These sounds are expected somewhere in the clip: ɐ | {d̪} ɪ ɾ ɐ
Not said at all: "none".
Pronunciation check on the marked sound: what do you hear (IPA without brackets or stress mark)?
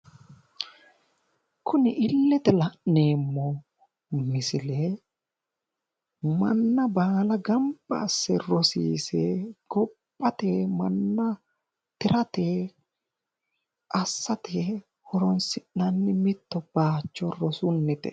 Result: t̪